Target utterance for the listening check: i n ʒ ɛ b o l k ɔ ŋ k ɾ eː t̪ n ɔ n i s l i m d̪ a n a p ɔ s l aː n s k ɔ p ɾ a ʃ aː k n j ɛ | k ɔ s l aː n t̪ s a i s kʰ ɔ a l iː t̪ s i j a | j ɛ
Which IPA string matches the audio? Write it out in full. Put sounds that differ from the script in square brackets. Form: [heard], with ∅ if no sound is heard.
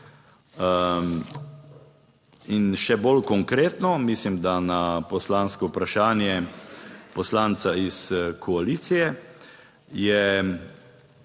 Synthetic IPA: i n [ʃ] ɛ b o l k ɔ ŋ k ɾ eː t̪ n ɔ [m] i s l i m d̪ a n a p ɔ s l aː n s k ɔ p ɾ a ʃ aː [∅] n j ɛ | [p] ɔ s l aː n t̪ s a i s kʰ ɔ a l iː t̪ s i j [ɛ] | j ɛ